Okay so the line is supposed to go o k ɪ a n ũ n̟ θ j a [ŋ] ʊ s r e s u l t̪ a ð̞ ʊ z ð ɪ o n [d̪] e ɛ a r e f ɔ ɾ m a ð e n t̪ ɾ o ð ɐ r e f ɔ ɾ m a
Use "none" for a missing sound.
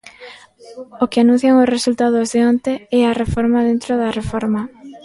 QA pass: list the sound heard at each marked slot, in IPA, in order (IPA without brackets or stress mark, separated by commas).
ŋ, t̪